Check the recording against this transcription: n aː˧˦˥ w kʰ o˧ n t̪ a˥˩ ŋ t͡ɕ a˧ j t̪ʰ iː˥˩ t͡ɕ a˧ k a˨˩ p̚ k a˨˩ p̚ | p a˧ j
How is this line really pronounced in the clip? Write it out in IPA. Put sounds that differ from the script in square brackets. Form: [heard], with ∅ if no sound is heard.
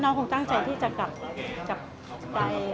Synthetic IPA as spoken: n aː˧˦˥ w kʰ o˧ [ŋ] t̪ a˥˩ ŋ t͡ɕ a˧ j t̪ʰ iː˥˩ t͡ɕ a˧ k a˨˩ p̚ k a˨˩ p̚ | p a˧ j